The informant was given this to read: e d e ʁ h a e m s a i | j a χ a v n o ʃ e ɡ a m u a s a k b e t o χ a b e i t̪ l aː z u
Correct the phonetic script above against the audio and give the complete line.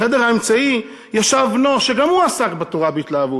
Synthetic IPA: e d e ʁ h a e m t͡s a i | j a ʃ a v n o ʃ e ɡ a m u a s a k b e t o ʁ a b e i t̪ l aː v u